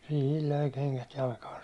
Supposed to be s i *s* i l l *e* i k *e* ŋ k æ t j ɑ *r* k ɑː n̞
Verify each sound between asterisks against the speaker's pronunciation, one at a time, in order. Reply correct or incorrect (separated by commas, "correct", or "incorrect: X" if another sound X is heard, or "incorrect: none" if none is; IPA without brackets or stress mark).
incorrect: h, incorrect: ø, correct, incorrect: l